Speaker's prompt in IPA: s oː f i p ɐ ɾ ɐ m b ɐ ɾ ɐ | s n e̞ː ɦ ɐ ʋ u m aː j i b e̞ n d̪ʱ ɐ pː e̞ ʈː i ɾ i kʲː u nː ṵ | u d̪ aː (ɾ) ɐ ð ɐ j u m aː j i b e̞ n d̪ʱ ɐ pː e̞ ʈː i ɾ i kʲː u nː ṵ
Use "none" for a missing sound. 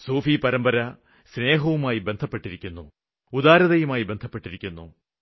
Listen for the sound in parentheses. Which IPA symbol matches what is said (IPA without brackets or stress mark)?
ɾ